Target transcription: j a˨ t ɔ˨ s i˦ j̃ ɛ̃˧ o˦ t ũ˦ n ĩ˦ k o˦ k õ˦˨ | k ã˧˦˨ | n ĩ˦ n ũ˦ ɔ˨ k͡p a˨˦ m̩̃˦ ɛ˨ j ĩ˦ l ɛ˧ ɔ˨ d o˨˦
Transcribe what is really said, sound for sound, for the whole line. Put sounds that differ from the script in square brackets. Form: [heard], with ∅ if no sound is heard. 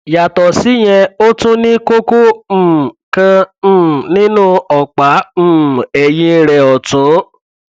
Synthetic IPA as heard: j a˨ t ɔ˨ s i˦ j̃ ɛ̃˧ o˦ t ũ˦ n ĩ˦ k o˦ k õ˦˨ | k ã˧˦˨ | n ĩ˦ n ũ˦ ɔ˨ k͡p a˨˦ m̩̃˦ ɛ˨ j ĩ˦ [ɾ] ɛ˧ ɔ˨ [t] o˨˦